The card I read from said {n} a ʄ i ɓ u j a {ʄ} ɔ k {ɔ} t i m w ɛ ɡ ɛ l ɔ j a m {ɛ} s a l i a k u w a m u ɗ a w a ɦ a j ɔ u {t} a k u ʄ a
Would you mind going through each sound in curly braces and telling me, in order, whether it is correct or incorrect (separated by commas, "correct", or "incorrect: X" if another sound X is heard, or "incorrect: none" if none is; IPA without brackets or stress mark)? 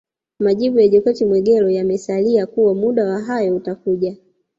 incorrect: m, correct, correct, correct, correct